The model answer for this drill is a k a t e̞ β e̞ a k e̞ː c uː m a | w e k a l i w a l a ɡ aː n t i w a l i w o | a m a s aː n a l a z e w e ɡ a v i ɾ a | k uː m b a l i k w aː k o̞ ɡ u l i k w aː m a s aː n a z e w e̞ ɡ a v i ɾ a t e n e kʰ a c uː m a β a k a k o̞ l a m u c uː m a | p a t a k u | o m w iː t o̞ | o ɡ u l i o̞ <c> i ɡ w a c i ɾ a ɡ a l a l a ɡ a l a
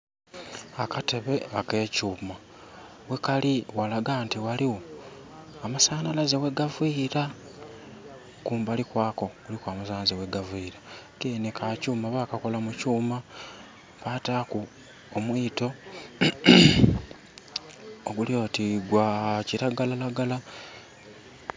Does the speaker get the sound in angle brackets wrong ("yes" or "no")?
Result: yes